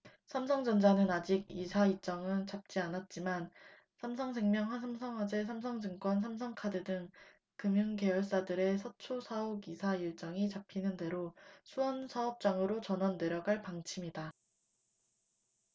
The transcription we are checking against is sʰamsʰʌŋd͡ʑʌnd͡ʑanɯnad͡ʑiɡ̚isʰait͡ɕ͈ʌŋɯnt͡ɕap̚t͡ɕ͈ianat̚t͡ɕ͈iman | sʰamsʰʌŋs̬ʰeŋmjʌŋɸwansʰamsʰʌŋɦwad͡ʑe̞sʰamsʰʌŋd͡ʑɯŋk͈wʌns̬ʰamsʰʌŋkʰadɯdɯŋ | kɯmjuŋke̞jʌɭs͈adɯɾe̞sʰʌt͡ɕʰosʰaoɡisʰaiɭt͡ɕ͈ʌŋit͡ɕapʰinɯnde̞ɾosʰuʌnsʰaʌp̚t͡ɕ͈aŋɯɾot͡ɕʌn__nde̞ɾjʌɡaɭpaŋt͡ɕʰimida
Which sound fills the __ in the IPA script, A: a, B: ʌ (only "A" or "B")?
B